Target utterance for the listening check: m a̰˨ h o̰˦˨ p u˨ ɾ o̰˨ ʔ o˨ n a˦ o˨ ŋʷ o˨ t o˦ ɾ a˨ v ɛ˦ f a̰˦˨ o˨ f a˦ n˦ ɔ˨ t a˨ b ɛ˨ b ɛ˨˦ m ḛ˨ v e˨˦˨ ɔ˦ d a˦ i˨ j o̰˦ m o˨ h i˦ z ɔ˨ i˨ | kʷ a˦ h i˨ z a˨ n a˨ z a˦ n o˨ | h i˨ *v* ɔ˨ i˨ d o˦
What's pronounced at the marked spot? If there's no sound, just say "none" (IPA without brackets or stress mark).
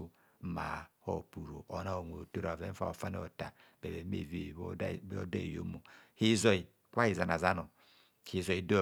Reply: z